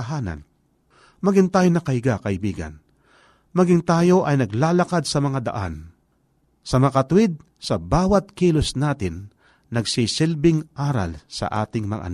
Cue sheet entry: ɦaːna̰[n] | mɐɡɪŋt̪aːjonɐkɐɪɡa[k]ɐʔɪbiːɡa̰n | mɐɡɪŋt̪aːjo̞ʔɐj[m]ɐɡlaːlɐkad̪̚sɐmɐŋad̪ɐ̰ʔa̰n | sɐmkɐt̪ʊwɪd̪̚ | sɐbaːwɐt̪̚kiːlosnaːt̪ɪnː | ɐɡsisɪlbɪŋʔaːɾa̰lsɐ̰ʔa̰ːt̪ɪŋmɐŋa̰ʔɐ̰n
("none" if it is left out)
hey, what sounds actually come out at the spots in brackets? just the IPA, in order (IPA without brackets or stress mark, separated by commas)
n, k, n